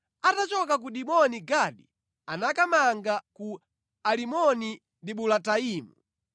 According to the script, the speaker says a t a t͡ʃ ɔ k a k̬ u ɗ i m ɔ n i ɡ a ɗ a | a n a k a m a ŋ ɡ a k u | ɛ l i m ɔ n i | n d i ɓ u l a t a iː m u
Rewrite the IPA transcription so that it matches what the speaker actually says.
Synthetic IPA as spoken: a t a t͡ʃ ɔ k a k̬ u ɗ i m ɔ n i ɡ a ɗ i | a n a k a m a ŋ ɡ a k u | a l i m ɔ n i | n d i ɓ u l a t a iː m u